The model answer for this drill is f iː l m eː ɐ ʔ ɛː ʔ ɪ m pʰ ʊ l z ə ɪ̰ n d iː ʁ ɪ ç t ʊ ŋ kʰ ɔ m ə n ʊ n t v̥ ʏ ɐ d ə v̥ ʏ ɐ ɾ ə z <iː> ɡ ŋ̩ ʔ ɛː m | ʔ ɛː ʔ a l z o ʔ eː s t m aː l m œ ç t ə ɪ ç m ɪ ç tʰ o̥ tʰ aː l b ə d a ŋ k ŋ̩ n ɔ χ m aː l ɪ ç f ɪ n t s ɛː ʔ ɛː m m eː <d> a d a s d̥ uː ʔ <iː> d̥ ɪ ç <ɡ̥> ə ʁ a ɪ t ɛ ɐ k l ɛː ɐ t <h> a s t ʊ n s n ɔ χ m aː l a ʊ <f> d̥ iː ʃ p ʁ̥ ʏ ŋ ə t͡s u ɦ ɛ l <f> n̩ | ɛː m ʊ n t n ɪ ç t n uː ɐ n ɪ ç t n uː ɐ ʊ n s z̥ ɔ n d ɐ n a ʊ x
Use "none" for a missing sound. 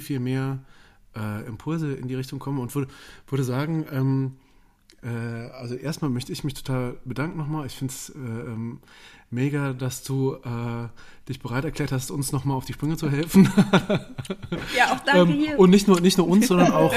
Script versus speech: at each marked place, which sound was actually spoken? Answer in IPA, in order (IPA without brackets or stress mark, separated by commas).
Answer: aː, ɡ, ɛː, b̥, h, f, f